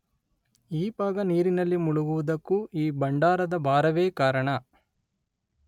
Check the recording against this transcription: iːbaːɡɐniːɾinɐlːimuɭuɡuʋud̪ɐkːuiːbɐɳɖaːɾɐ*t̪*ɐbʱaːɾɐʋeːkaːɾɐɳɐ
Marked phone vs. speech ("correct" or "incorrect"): incorrect